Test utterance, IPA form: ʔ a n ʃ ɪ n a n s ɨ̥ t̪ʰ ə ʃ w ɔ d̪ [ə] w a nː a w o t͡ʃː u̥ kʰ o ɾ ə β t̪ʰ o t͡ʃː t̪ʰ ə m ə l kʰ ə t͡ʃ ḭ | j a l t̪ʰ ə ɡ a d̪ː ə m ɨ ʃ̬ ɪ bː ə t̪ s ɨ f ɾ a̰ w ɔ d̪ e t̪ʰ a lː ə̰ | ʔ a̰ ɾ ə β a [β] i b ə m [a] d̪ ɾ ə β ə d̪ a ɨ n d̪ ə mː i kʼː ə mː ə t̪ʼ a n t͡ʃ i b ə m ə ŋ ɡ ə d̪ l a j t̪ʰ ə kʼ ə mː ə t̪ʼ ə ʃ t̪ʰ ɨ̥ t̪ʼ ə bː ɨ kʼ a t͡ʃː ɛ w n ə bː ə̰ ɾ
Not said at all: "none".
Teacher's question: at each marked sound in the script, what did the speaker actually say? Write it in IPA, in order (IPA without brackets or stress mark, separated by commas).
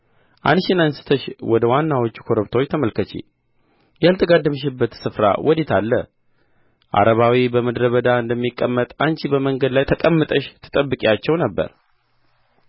ə, w, ə